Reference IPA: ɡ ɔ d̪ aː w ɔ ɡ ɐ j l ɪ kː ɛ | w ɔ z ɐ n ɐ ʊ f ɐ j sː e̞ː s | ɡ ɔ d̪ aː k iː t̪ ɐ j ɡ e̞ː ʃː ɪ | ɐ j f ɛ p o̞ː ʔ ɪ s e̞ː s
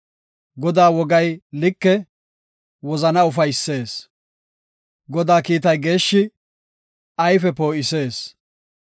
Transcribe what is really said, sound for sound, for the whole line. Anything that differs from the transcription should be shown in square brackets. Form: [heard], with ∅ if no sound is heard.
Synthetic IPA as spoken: ɡ ɔ d̪ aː w ɔ ɡ ɐ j l ɪ kː ɛ | w ɔ z ɐ n ɐ ʊ f ɐ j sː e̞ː s | ɡ ɔ d̪ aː k iː t̪ ɐ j ɡ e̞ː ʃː ɪ | ɐ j f ɛ p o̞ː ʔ ɪ s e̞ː s